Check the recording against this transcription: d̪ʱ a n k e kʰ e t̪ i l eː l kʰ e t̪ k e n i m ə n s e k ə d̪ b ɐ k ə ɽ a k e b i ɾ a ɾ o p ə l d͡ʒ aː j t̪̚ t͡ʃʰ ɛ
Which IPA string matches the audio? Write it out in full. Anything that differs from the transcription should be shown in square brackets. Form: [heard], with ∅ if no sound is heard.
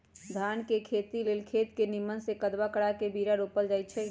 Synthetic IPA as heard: d̪ʱ a n k e kʰ e t̪ i l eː l kʰ e t̪ k e n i m ə n s e k ə d̪ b [a] k ə ɽ a k e b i ɾ a ɾ o p ə l d͡ʒ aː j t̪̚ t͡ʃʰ ɛ